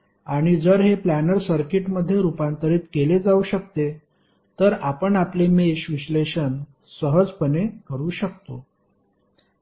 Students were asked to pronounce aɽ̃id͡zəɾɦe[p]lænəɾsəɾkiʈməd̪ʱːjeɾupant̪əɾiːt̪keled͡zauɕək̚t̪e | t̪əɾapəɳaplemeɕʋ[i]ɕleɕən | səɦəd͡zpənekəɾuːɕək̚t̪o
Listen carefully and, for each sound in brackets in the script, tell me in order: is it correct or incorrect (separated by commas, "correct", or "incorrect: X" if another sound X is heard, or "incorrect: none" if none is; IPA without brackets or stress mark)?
correct, correct